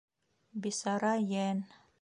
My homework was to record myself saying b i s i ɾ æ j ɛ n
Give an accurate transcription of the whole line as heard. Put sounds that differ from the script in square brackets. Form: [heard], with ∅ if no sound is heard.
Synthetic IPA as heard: b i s [a] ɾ [a] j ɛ n